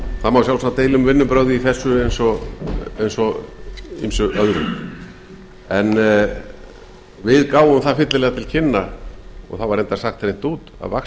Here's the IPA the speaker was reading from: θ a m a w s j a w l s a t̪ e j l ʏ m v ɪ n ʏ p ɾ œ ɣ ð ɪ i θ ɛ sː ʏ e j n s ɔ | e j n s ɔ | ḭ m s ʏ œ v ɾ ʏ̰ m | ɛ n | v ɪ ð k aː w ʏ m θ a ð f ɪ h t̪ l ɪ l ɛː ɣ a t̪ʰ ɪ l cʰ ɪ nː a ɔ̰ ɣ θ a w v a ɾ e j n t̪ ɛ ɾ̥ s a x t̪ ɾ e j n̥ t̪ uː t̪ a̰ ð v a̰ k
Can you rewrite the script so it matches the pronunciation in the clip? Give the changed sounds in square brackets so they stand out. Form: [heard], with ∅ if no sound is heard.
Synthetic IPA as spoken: θ a m a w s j a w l s a t̪ e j l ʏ m v ɪ [nː] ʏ p ɾ œ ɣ ð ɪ i θ ɛ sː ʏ e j n s ɔ | e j n s ɔ | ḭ m s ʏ œ [ð] ɾ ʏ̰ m | ɛ n | v ɪ ð k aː w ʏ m θ a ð f ɪ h t̪ l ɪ l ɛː ɣ a t̪ʰ ɪ l cʰ ɪ nː a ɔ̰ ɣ θ a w v a ɾ e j n t̪ [a] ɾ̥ s a x t̪ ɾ e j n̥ t̪ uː t̪ a̰ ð v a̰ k

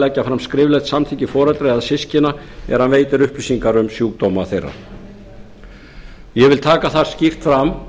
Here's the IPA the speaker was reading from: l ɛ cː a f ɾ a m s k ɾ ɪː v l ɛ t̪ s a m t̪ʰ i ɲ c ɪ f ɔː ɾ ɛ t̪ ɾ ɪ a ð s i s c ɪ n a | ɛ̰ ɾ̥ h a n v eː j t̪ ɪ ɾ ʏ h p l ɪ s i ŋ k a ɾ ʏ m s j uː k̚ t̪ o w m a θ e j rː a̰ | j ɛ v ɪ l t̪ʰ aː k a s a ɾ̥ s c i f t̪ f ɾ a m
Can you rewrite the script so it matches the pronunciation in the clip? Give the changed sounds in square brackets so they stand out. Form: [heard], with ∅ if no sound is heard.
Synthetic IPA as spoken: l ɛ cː a f ɾ a m s k ɾ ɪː v l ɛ t̪ s a m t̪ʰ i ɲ c ɪ f ɔː ɾ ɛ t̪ ɾ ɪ a ð s [ɪ] s c ɪ n a | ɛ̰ ɾ̥ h a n v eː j t̪ ɪ ɾ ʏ h p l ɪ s i ŋ k a ɾ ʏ m s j uː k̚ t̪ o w m a θ e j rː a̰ | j ɛ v ɪ l t̪ʰ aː k a [θ] a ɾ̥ s c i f t̪ f ɾ a m

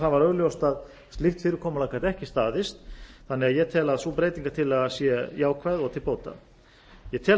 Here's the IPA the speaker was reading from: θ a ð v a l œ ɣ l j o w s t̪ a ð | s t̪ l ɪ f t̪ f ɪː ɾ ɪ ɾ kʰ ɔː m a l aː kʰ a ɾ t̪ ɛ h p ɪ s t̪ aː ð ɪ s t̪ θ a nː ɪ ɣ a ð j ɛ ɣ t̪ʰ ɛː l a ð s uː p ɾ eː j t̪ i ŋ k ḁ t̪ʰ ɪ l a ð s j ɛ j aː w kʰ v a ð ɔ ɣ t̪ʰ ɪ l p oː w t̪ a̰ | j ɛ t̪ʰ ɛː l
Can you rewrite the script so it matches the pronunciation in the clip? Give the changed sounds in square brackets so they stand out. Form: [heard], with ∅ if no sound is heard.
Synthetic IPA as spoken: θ a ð v a [ɾ] œ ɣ l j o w s t̪ a ð | s t̪ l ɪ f t̪ f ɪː ɾ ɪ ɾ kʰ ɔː m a l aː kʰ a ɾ t̪ ɛ h [c] ɪ s t̪ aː ð ɪ s t̪ θ a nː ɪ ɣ a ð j ɛ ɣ t̪ʰ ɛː l a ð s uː p ɾ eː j t̪ i ŋ k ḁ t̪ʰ ɪ l a ð s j ɛ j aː w kʰ v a ð ɔ ɣ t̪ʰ ɪ l p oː w t̪ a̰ | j ɛ t̪ʰ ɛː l

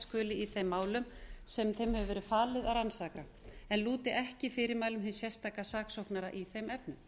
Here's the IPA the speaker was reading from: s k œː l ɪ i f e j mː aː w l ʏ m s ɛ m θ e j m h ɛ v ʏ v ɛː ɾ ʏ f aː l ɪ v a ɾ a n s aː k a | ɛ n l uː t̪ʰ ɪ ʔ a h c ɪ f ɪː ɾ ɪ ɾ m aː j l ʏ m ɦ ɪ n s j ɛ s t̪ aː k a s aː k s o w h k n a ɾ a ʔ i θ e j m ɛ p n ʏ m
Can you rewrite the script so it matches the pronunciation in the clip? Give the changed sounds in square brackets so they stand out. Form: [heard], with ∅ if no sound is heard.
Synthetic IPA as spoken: s k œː l ɪ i [θ] e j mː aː w l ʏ m s ɛ m θ e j m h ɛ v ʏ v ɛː ɾ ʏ f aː l ɪ [ð] a ɾ a n s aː k a | ɛ n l uː [t̪] ɪ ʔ [ɛ] h c ɪ f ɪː ɾ ɪ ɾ m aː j l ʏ m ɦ ɪ n s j ɛ s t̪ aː k a s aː k s o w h k n a ɾ a ʔ i θ e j m ɛ p n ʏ m

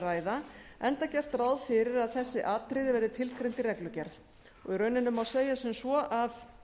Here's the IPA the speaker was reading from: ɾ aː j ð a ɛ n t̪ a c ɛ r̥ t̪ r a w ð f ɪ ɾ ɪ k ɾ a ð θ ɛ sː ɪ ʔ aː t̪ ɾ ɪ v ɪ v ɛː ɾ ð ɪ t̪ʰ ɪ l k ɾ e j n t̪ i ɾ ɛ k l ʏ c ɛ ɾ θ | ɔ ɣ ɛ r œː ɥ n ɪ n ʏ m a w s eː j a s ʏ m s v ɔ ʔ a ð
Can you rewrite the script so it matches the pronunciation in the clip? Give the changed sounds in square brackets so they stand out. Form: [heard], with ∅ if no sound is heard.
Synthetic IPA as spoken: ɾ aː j ð a ɛ n t̪ a c ɛ r̥ t̪ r a w ð f ɪ ɾ ɪ [∅] ɾ a ð θ ɛ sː ɪ ʔ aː t̪ ɾ ɪ [ð] ɪ v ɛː ɾ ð ɪ t̪ʰ ɪ l k ɾ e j n t̪ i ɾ ɛ k l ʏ c ɛ ɾ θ | ɔ ɣ [i] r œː ɥ n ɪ n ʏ m a w s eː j a s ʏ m s v ɔ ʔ a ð

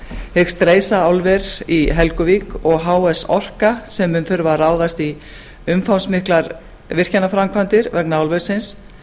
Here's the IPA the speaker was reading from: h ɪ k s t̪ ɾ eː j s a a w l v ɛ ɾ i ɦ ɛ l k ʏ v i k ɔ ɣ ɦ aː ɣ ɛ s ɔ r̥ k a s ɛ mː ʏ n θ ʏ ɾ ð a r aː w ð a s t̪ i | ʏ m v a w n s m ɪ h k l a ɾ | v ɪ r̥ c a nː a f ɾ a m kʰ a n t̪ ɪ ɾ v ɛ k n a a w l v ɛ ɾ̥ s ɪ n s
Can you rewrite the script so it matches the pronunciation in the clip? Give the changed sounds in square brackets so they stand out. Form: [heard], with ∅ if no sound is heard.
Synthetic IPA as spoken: h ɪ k s t̪ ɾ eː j s a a w l v ɛ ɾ i ɦ ɛ l k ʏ v i k ɔ ɣ ɦ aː [w] ɛ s ɔ r̥ k a s ɛ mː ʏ n θ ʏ ɾ [v] a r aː w ð a s t̪ i | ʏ m [f] a w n s m ɪ h k l a ɾ | v ɪ r̥ c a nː a f ɾ a m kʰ a n t̪ ɪ ɾ v ɛ k n a a w l v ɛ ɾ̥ s ɪ n s

